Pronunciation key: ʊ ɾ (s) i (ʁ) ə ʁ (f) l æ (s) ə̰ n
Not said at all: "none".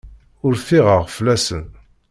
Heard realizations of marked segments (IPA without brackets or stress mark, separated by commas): θ, ʁ, f, s